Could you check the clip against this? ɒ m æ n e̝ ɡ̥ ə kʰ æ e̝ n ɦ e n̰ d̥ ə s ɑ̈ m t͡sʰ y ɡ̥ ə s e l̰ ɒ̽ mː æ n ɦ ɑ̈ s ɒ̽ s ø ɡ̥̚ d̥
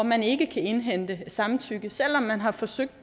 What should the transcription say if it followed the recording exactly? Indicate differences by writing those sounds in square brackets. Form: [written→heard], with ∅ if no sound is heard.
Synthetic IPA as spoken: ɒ m æ n e̝ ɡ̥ ə kʰ æ e̝ n ɦ e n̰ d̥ ə s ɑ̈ m t͡sʰ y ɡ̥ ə s e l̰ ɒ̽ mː æ n ɦ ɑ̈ [s→f] ɒ̽ s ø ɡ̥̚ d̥